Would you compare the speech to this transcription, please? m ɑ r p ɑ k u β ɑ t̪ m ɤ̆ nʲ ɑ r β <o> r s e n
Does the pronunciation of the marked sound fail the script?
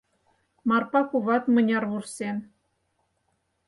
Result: yes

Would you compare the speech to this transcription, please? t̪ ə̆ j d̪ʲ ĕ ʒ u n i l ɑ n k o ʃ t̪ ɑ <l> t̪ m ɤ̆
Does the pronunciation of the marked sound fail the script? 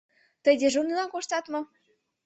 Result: yes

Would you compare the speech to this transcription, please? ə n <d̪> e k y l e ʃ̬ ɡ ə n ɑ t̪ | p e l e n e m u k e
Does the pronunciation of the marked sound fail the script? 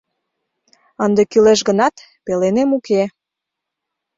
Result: no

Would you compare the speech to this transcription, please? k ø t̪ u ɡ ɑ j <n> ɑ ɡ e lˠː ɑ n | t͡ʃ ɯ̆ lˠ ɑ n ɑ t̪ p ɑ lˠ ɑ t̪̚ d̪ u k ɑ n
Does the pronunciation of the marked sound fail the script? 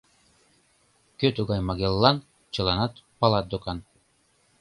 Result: yes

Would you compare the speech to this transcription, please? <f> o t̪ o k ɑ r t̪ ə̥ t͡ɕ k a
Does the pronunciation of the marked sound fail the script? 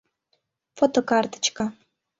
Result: no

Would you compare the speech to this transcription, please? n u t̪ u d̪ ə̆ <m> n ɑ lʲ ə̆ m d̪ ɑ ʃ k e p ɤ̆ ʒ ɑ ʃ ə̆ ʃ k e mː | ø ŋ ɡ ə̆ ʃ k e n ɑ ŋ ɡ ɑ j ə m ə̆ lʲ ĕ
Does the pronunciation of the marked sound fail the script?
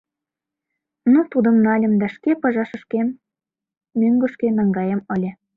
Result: no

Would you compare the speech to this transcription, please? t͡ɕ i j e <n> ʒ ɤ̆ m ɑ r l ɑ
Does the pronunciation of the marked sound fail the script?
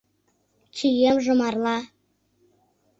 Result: yes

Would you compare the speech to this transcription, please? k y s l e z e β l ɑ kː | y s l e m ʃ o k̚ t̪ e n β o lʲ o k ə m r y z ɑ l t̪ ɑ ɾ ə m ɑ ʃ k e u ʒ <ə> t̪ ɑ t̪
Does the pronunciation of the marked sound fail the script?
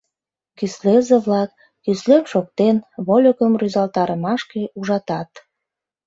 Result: yes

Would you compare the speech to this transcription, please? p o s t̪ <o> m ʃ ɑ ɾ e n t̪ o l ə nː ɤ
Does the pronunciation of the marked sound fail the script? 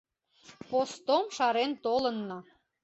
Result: no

